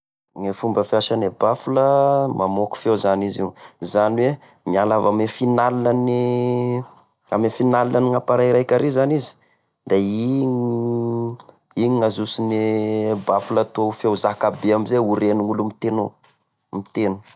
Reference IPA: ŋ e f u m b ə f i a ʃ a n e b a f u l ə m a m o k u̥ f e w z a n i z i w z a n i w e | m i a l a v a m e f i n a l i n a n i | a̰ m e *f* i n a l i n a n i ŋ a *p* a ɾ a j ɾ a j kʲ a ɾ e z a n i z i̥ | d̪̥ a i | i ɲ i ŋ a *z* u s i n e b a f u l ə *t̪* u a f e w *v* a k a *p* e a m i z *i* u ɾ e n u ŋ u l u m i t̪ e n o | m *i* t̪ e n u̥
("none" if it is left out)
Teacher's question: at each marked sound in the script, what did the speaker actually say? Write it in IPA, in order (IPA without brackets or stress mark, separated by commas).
f, p, z, t̪, z, b, e, i